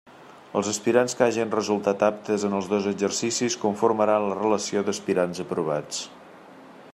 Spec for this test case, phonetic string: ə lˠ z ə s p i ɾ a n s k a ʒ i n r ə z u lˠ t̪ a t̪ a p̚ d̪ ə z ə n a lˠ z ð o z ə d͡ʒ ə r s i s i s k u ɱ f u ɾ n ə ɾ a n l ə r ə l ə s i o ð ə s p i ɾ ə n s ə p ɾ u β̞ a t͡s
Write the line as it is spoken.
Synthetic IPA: ə lˠ z ə s p i ɾ a n s k a ʒ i n r ə z u lˠ t̪ a t̪ a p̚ t̪ ə z ə n ə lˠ z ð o z ə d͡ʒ ə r s i s i s k u ɱ f u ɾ m ə ɾ a n l ə r ə l ə s i o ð ə s p i ɾ a n z ə p ɾ u β̞ a t͡s